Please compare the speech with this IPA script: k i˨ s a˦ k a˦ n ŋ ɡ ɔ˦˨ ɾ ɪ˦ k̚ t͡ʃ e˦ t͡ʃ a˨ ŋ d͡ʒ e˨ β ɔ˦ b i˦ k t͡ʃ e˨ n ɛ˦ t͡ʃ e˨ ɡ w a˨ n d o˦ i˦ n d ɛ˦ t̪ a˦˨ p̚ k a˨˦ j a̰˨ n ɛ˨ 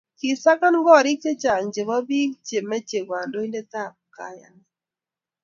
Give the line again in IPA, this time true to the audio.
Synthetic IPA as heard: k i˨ s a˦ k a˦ n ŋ ɡ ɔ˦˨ ɾ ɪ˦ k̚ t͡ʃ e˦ t͡ʃ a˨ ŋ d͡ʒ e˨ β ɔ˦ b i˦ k t͡ʃ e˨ m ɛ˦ t͡ʃ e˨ ɡ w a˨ n d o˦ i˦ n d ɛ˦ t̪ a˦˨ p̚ k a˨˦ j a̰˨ n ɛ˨